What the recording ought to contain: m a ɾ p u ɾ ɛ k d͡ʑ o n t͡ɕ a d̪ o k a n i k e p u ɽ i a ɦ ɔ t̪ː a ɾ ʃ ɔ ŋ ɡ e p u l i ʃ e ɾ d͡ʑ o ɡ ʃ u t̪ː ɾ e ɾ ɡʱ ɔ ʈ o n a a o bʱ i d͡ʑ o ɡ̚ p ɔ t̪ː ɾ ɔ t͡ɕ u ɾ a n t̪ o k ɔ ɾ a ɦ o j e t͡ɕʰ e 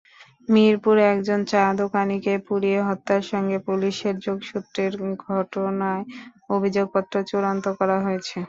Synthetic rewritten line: m i ɾ p u ɾ ɛ k d͡ʑ o n t͡ɕ a d̪ o k a n i k e p u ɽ i e ɦ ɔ t̪ː a ɾ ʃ ɔ ŋ ɡ e p u l i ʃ e ɾ d͡ʑ o ɡ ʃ u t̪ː ɾ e ɾ ɡʱ ɔ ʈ o n a e o bʱ i d͡ʑ o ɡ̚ p ɔ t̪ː ɾ o t͡ɕ u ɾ a n t̪ o k ɔ ɾ a ɦ o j e t͡ɕʰ e

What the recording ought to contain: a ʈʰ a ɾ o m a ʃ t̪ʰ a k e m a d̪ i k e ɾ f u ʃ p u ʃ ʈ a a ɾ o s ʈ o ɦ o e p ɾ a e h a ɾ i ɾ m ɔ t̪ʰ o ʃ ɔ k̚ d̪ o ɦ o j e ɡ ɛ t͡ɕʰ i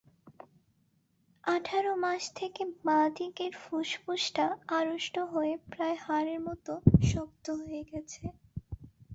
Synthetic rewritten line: a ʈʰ a ɾ o m a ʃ t̪ʰ e k e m a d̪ i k e ɾ f u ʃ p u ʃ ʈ a a ɾ o ʃ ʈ o ɦ o e p ɾ a e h a ɾ e ɾ m ɔ t̪ o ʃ ɔ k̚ t̪ o ɦ o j e ɡ ɛ t͡ɕʰ e

